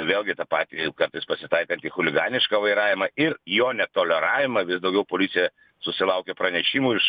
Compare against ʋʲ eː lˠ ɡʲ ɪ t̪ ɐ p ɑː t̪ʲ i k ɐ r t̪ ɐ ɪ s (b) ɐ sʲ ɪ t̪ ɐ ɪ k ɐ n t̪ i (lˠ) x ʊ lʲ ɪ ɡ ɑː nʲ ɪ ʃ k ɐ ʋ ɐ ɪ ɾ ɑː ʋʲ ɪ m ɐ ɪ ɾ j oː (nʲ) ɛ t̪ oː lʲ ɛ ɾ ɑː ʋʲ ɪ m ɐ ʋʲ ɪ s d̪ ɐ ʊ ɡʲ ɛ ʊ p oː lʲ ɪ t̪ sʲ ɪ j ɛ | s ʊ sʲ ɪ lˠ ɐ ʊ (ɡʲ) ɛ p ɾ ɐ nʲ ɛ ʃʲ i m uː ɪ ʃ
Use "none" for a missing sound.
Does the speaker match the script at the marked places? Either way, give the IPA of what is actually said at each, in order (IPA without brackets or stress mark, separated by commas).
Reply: p, none, nʲ, kʲ